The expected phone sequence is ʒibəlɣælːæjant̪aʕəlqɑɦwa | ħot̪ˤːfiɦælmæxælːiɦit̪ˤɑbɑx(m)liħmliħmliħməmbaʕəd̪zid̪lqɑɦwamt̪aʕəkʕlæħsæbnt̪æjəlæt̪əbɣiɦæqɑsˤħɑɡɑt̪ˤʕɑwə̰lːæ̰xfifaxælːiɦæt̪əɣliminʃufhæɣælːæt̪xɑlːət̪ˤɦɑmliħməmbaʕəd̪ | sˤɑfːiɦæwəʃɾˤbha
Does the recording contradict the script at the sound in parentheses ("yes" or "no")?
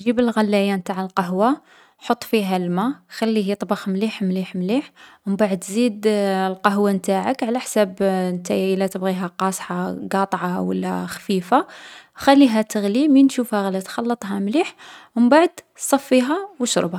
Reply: no